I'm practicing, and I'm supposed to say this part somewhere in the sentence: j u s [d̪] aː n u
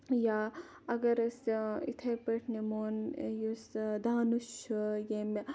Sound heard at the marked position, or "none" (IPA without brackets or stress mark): d̪